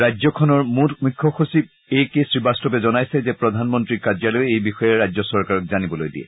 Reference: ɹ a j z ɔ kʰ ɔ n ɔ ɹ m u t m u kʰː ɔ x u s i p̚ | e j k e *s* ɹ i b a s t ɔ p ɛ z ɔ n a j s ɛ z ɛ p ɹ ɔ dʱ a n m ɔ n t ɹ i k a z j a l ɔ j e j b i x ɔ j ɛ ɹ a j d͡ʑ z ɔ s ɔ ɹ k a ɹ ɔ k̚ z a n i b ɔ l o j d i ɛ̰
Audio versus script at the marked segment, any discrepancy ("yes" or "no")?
no